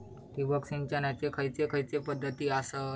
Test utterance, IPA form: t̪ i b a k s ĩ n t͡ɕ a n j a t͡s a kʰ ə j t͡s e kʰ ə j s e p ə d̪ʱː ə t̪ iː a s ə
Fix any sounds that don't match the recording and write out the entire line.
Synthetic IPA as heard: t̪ i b ə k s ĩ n t͡ɕ a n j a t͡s e kʰ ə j t͡s e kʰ ə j t͡s e p ə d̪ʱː ə t̪ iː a s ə